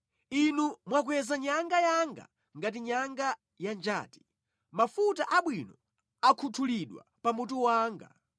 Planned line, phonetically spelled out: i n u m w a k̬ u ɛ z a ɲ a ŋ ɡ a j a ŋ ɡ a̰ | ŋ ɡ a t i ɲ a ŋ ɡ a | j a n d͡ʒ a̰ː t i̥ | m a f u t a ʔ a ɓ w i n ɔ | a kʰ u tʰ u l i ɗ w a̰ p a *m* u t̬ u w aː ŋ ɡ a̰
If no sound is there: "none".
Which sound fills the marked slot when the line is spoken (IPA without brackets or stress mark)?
m